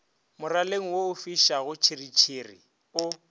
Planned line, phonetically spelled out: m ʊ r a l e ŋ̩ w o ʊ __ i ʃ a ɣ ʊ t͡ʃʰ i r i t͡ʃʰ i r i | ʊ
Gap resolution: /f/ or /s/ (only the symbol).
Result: f